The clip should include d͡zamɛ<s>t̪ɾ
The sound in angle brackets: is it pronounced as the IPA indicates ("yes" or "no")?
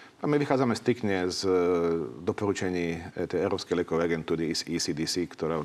yes